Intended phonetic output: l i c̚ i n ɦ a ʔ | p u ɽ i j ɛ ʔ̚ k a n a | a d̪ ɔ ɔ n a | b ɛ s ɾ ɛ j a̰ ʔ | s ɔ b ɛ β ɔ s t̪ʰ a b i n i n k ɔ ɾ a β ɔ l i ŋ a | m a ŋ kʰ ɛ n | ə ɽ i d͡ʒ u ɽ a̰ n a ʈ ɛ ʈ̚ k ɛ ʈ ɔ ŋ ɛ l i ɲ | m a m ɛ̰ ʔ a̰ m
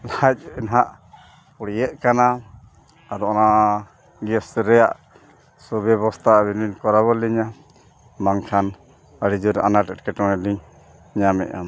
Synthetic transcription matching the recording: l a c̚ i n ɦ a ʔ | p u ɽ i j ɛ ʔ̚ k a n a | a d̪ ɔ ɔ n a | ɡ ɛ s ɾ ɛ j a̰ ʔ | s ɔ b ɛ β ɔ s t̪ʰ a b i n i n k ɔ ɾ a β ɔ l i ɲ a | m a ŋ kʰ a n | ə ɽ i d͡ʒ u ɾ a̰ n a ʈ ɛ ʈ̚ k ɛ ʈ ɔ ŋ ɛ l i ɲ | ɲ a m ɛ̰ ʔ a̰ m